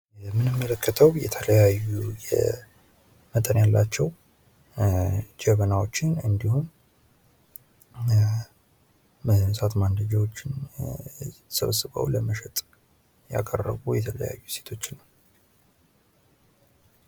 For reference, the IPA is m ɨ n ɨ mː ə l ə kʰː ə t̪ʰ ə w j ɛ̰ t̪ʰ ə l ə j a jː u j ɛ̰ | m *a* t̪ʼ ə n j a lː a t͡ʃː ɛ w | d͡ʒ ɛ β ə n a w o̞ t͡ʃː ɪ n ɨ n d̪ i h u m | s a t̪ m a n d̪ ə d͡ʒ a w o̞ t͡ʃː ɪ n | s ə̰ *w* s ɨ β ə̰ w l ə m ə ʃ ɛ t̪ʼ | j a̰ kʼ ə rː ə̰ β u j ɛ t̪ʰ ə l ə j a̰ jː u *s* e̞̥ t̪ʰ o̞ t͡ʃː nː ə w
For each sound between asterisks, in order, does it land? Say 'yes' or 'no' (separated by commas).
no, no, yes